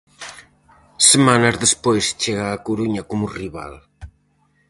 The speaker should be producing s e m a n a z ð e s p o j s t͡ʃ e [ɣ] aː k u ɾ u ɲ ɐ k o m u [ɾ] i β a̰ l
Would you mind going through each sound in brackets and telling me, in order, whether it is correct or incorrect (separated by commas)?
correct, incorrect